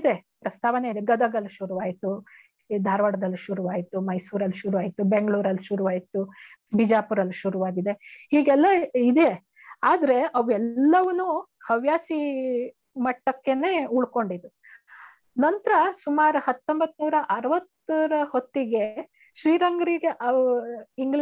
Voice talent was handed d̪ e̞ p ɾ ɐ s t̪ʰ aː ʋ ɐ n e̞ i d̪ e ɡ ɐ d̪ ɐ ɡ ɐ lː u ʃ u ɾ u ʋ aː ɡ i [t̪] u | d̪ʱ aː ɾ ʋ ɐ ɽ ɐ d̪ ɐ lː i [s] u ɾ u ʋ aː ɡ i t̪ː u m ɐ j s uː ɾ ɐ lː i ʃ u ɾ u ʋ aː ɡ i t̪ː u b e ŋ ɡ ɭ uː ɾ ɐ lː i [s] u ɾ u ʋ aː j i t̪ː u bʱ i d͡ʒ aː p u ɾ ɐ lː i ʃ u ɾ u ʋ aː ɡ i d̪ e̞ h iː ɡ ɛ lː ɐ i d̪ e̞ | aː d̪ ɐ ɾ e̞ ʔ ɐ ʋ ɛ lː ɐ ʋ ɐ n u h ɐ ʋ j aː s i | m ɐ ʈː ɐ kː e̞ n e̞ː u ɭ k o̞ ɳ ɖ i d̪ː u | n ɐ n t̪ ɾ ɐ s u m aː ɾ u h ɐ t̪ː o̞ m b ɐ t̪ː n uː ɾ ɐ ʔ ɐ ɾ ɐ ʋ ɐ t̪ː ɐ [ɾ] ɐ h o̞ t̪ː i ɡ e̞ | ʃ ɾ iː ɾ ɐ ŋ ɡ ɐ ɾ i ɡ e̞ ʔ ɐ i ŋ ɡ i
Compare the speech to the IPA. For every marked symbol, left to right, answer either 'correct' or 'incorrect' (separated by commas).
correct, incorrect, incorrect, correct